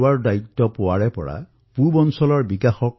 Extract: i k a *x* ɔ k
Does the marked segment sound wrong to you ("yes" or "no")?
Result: no